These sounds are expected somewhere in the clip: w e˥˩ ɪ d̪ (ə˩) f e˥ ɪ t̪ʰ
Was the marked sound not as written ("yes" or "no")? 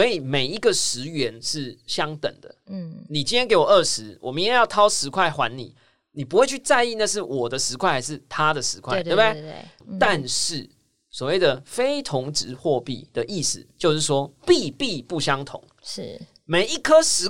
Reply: no